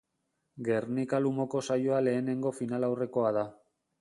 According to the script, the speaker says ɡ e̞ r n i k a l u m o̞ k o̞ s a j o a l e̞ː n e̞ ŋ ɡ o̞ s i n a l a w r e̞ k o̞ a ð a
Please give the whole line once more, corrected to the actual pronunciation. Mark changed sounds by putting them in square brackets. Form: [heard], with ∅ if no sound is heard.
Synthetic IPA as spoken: ɡ e̞ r n i k a l u m o̞ k o̞ s a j o a l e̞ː n e̞ ŋ ɡ o̞ [f] i n a l a w r e̞ k o̞ a ð a